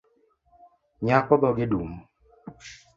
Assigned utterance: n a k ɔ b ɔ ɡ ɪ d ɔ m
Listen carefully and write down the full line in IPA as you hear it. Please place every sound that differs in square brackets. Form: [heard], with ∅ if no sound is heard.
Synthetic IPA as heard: [ɲ] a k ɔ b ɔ ɡ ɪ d [u] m